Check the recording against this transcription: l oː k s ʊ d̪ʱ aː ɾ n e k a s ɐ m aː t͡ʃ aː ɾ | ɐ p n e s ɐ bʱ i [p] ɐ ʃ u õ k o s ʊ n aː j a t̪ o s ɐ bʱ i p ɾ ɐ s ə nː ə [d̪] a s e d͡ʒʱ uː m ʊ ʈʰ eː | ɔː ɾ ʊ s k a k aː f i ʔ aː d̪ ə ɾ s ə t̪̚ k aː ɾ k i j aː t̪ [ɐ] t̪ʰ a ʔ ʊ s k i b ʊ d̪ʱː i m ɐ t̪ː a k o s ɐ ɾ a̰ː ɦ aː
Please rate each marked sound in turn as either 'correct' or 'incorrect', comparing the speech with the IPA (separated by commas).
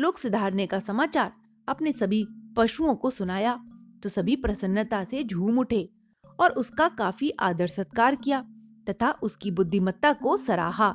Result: correct, incorrect, correct